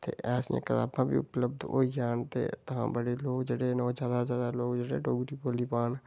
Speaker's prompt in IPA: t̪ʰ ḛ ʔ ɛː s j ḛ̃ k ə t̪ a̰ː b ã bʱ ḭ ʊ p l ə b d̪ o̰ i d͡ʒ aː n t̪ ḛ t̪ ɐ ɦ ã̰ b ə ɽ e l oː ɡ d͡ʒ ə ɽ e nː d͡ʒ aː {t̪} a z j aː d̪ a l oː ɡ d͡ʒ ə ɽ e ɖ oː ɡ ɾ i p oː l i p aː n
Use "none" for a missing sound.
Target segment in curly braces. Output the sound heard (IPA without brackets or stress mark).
d̪